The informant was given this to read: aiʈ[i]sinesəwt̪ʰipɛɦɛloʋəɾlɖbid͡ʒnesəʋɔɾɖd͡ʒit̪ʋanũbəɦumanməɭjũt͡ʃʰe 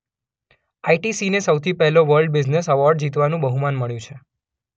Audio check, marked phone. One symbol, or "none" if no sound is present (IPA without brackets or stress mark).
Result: i